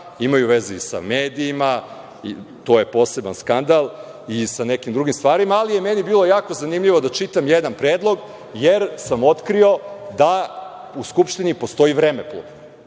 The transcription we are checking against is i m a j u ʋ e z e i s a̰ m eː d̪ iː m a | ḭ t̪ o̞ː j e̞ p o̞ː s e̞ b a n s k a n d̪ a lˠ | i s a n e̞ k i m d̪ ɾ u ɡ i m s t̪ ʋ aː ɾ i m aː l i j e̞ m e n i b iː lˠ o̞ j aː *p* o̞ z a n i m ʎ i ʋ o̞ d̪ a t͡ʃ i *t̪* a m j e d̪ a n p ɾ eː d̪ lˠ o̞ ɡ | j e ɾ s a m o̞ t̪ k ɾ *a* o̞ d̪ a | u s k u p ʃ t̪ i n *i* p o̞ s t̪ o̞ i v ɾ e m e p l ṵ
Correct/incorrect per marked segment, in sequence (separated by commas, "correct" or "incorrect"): incorrect, correct, incorrect, correct